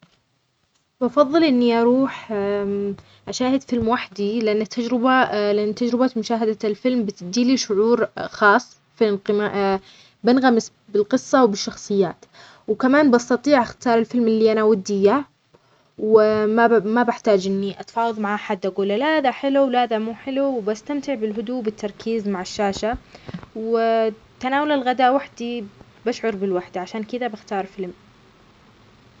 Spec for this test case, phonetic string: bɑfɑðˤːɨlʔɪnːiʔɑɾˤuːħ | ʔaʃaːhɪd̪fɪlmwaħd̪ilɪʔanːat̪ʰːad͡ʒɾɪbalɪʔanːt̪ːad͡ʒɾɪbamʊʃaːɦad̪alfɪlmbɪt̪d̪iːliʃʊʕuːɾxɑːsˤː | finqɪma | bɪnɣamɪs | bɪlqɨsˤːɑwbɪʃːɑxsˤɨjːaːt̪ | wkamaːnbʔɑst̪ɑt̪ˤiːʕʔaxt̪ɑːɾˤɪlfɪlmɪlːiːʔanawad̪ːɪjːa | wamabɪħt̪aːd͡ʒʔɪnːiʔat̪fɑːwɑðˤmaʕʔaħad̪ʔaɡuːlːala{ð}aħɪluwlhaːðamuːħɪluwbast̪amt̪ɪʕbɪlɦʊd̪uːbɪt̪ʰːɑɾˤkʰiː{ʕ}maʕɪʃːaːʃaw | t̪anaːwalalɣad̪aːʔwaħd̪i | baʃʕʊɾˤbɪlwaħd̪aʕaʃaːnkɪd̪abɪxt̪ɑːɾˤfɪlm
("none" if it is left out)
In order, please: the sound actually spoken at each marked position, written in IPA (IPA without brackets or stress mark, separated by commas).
ð, z